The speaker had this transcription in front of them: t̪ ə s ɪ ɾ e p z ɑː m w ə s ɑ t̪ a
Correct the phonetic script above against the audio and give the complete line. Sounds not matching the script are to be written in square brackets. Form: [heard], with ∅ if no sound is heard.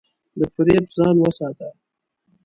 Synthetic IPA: [d̪] ə [f] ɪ ɾ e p z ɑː [n] w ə s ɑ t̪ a